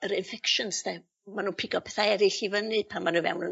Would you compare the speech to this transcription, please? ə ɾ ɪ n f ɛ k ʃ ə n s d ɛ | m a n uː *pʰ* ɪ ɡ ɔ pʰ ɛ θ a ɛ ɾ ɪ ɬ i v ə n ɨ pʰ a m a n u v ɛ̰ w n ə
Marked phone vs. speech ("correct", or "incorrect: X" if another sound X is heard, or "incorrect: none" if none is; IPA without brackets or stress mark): correct